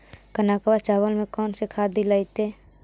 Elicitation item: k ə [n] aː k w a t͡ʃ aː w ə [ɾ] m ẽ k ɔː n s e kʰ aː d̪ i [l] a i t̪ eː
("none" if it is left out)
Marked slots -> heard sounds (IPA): n, l, l

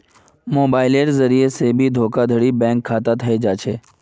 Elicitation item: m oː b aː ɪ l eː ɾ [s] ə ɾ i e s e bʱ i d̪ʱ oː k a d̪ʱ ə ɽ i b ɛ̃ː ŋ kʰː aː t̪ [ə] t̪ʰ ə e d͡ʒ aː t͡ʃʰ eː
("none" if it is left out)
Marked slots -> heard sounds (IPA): z, a

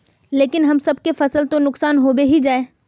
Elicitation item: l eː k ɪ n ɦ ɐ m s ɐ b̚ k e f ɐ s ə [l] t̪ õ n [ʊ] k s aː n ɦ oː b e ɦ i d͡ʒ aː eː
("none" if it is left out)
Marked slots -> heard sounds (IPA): l, ʊ

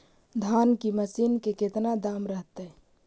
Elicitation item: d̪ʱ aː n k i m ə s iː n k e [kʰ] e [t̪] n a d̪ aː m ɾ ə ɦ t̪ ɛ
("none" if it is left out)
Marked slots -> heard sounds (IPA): k, t̪

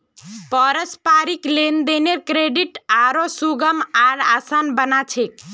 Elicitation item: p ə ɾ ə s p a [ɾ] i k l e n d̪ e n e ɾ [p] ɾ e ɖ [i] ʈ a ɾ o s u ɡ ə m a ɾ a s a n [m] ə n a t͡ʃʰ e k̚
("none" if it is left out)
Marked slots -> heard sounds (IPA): ɾ, k, i, b

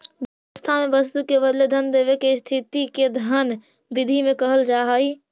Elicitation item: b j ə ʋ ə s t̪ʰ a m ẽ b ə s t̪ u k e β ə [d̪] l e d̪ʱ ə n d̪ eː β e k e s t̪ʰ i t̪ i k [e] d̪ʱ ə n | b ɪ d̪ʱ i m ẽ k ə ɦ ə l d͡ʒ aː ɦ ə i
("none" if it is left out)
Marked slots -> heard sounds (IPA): d̪, e

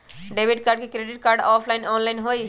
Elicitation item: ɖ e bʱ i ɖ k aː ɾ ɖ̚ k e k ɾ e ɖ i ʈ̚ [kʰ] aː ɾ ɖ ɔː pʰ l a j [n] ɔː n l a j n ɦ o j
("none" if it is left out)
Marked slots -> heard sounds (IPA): k, n

